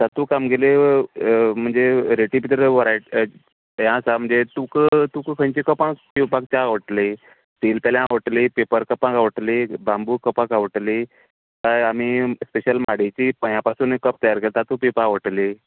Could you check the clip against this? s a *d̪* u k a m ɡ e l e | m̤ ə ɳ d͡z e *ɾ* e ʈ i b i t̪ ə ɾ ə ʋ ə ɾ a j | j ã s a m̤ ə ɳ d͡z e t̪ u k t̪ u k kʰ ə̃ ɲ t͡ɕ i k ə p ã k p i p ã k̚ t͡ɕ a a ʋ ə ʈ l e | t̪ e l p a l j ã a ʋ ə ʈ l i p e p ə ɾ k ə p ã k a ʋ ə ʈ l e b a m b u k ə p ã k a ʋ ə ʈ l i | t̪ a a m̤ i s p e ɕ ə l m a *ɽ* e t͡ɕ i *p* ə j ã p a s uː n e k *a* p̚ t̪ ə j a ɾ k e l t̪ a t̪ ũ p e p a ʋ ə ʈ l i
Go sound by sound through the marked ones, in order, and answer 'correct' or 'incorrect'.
incorrect: t̪, correct, correct, correct, incorrect: ə

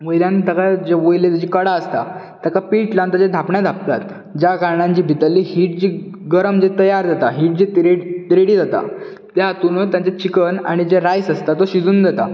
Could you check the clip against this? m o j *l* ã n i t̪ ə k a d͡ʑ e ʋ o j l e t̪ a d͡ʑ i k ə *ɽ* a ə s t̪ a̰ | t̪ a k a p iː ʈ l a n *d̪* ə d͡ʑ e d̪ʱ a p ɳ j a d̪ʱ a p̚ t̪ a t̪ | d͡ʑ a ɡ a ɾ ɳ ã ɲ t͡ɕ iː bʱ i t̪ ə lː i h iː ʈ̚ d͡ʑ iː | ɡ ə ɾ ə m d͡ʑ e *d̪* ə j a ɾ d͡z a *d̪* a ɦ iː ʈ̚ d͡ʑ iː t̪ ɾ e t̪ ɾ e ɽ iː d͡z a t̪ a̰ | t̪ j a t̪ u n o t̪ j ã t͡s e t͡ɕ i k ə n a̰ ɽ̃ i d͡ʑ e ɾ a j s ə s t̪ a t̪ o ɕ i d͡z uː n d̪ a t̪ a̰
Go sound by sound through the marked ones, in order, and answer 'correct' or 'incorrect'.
correct, correct, incorrect: t̪, incorrect: t̪, incorrect: t̪

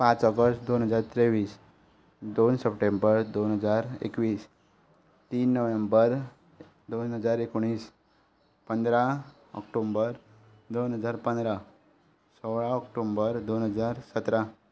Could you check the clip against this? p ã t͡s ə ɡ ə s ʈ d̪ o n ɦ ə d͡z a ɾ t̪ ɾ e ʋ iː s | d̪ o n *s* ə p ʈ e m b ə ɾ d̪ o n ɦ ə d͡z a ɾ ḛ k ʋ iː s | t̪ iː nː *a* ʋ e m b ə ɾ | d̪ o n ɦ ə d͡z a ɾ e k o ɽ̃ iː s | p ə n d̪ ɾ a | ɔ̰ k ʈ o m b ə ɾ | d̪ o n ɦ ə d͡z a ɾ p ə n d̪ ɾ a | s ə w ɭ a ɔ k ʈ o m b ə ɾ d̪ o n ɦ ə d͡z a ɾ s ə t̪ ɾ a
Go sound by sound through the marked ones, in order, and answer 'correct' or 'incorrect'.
correct, incorrect: ə

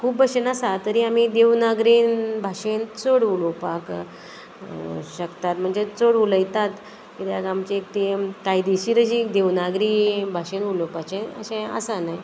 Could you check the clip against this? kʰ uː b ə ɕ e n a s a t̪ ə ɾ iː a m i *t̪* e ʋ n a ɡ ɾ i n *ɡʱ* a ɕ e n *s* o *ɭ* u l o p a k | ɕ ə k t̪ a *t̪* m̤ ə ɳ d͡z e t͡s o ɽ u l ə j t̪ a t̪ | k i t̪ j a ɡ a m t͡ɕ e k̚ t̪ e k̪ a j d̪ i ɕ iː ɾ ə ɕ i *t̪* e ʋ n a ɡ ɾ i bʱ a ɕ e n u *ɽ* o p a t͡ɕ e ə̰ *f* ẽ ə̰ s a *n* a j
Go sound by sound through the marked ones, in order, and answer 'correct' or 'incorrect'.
incorrect: d̪, incorrect: bʱ, incorrect: t͡s, incorrect: ɽ, correct, incorrect: d̪, incorrect: l, incorrect: ɕ, correct

